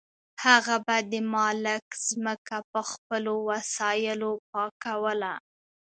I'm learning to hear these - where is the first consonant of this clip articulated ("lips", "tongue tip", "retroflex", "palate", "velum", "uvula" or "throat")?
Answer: throat